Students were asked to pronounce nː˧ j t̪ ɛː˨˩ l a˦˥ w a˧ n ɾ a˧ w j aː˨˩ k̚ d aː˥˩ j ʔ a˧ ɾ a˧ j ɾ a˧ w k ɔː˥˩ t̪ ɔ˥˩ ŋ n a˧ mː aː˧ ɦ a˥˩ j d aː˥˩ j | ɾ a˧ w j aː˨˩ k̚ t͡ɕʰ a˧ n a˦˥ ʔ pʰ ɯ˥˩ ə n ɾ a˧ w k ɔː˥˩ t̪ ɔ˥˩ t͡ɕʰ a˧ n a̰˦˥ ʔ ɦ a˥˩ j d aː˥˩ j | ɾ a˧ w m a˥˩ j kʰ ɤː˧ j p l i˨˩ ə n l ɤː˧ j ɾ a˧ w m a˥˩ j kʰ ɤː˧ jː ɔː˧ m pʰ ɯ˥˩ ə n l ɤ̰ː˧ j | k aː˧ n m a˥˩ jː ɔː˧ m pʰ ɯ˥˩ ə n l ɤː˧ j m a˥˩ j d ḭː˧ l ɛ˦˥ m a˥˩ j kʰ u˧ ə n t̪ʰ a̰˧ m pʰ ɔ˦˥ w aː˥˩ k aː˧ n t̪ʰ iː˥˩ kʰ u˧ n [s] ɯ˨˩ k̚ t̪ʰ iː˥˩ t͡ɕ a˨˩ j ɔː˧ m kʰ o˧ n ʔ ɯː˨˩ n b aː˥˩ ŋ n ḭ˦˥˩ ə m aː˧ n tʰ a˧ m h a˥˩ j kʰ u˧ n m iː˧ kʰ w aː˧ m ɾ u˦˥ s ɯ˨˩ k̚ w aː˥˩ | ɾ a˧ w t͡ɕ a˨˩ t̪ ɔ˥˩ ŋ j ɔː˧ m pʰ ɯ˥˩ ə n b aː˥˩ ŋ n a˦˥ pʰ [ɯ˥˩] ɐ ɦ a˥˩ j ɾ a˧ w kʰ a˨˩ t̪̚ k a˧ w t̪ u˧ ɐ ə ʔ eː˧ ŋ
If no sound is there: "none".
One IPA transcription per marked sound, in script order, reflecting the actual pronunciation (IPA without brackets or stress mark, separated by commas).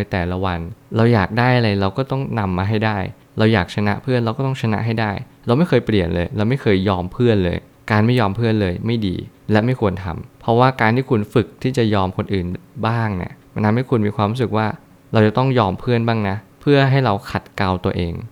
f, ɯ˥˩